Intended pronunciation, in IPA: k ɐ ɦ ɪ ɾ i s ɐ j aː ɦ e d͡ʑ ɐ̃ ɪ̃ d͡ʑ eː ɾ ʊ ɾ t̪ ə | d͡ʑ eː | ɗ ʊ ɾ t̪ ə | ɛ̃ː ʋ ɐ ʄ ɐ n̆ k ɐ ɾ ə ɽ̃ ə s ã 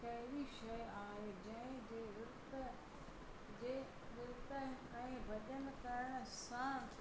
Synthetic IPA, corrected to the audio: k ɐ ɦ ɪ ɾ i ʃ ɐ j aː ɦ e d͡ʑ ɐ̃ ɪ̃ d͡ʑ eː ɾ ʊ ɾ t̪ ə | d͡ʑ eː | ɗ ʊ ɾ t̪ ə | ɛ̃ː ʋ ɐ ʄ ə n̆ k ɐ ɾ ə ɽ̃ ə s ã